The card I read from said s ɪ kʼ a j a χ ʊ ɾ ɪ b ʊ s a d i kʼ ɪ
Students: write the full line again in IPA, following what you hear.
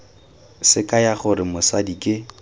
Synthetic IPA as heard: s ɪ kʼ a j a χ ʊ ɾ ɪ m ʊ s a d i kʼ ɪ

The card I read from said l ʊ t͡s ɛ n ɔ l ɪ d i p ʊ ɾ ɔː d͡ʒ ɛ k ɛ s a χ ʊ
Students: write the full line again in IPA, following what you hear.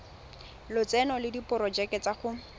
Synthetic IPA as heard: l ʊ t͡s ɛ n ɔ l ɪ d i p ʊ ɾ ɔ d͡ʒ ɛ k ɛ t͡s a χ ʊ

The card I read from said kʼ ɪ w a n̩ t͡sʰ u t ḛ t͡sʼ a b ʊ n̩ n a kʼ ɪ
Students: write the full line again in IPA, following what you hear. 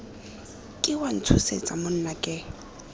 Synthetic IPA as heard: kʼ ɪ w a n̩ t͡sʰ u s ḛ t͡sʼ a m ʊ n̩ n a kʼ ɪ

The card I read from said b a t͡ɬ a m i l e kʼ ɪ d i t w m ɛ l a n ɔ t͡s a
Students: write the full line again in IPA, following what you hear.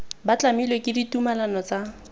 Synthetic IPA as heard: b a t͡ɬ a m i l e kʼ ɪ d i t u m a l a n ɔ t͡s a

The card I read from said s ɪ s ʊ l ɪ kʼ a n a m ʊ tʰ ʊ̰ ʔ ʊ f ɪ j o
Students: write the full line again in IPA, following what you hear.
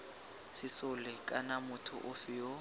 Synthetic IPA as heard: s ɪ s ʊ l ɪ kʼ a n a m ʊ tʰ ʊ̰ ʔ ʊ f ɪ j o

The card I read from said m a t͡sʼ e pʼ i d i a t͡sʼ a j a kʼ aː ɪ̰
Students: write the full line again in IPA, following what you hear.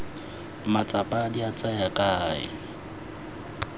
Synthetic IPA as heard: m a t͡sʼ a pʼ a d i a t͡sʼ a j a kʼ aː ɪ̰

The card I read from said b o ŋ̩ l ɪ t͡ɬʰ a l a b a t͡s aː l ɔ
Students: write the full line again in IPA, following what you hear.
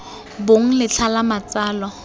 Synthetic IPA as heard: b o ŋ̩ l ɪ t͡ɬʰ a l a m a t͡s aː l ɔ

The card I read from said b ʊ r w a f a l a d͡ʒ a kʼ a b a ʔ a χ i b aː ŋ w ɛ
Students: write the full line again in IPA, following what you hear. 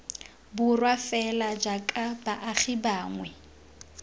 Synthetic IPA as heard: b ʊ r w a f ɛ l a d͡ʒ a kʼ a b a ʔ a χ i b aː ŋ w ɛ

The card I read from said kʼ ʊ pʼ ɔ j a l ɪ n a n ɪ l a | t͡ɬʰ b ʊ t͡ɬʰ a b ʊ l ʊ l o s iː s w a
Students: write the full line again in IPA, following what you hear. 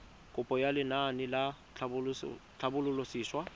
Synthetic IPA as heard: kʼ ʊ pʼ ɔ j a l ɪ n a n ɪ l a | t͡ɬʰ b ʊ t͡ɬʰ a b ʊ l ʊ l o s iː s w a

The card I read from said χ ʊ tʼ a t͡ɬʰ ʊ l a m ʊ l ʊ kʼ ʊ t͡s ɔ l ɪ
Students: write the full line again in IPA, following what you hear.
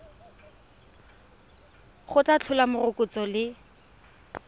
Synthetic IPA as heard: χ ʊ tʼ a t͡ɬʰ ʊ l a m ʊ r ʊ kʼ ʊ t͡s ɔ l ɪ

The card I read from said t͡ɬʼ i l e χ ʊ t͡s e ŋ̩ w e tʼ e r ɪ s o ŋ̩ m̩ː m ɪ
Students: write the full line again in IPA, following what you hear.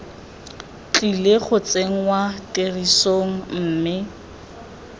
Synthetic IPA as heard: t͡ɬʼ i l e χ ʊ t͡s e ŋ̩ w a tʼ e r i s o ŋ̩ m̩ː m ɪ

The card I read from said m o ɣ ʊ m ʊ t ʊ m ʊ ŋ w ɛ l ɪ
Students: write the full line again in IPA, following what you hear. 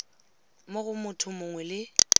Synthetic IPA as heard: m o ɣ ʊ m ʊ tʰ ʊ m ʊ ŋ w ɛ l ɪ

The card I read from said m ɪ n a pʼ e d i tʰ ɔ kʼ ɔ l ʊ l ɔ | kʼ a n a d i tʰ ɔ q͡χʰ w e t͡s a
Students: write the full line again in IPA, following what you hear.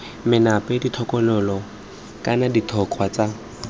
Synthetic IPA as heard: m ɪ n a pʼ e d i tʰ ɔ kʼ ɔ l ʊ l ɔ | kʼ a n a d i tʰ ɔ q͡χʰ w a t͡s a

